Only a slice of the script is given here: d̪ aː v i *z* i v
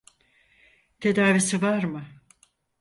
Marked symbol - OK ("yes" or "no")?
no